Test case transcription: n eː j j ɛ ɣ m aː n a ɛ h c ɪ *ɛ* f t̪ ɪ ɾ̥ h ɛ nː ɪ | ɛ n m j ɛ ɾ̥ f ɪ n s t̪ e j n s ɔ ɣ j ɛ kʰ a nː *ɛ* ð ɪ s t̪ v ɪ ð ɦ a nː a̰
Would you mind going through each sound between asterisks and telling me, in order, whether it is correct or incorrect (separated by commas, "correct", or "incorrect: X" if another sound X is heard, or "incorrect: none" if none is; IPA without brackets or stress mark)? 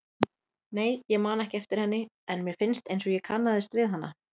correct, incorrect: a